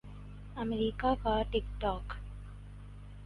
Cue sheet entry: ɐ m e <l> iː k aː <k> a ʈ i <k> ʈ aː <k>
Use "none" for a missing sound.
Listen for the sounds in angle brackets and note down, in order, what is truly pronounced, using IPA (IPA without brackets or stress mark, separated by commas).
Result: ɾ, k, k, k